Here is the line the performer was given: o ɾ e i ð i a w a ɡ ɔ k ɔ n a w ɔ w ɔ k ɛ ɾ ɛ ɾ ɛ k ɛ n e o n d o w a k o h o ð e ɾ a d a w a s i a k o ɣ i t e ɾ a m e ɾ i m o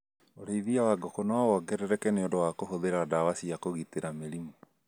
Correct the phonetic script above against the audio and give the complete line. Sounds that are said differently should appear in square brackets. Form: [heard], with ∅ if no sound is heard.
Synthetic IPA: o ɾ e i ð i a w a ɡ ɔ k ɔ n a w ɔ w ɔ [ɡ] ɛ ɾ ɛ ɾ ɛ k ɛ n e o n d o w a k o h o ð e ɾ a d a w a s i a k o ɣ i t e ɾ a m e ɾ i m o